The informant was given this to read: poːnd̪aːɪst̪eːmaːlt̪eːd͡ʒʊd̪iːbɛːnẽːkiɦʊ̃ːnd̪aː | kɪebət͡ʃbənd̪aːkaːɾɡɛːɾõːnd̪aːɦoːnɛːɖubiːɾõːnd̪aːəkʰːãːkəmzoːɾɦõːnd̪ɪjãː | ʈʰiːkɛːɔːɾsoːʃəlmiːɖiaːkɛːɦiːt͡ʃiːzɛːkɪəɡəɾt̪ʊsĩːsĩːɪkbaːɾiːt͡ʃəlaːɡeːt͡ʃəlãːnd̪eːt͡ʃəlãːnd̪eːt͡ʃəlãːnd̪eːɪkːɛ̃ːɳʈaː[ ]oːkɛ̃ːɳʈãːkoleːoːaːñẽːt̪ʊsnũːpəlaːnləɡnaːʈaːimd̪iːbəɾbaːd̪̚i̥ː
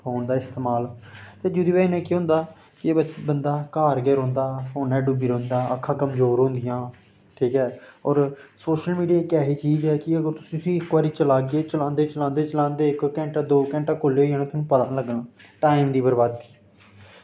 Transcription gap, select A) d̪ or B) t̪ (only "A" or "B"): A